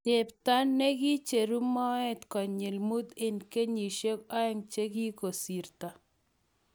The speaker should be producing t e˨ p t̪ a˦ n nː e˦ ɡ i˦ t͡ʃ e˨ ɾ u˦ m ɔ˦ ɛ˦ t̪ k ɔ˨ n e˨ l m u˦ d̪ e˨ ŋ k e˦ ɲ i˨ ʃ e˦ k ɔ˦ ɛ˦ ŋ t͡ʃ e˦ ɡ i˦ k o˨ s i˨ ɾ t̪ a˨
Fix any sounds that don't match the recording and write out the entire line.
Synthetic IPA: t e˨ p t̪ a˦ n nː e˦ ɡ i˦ t͡ʃ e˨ ɾ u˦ m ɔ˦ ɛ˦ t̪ k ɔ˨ ɲ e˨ l m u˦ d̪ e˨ n k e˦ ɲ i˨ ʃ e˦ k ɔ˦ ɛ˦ ŋ t͡ʃ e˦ ɡ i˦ k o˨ s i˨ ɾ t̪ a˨